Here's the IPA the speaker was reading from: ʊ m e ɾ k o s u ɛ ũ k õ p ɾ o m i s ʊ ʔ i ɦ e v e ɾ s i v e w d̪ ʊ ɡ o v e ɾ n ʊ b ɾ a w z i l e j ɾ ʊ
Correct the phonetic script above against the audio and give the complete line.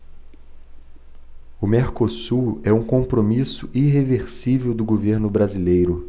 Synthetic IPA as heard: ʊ m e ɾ k o s u ɛ ũ k õ p ɾ o m i s ʊ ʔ i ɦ e v e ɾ s i v e w d̪ ʊ ɡ o v e ɾ n ʊ b ɾ a z i l e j ɾ ʊ